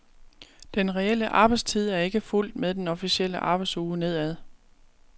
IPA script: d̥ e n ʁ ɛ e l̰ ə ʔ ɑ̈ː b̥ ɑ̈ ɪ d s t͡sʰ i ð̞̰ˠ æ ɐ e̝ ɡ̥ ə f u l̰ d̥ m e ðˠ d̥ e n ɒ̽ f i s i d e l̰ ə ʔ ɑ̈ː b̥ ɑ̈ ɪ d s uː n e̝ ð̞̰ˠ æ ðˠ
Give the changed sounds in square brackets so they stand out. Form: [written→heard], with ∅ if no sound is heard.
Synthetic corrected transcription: d̥ e n ʁ ɛ e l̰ ə ʔ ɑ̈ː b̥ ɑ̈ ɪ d s t͡sʰ i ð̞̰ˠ æ ɐ e̝ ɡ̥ ə f u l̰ d̥ m e ðˠ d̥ e n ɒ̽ f i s i [d→∅] e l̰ ə ʔ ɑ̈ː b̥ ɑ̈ ɪ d s uː n e̝ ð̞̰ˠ æ ðˠ